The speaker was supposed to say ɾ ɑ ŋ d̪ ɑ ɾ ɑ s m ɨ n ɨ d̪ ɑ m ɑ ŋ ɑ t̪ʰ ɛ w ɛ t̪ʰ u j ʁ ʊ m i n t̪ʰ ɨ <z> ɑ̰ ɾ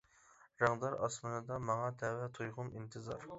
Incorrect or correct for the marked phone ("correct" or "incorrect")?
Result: correct